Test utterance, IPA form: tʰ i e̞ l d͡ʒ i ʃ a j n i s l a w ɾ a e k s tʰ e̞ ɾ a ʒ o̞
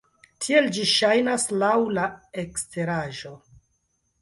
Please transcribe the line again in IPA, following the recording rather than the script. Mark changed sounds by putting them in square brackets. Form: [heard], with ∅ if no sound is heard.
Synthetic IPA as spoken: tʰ i e̞ l d͡ʒ i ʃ a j n [a] s l a w [l] a e k s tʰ e̞ ɾ a ʒ o̞